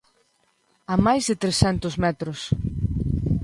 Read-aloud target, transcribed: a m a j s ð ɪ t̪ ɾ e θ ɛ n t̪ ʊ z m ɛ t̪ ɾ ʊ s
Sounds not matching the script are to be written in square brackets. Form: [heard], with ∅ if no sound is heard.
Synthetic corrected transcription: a m a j [z] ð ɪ t̪ ɾ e [s] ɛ n t̪ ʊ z m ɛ t̪ ɾ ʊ s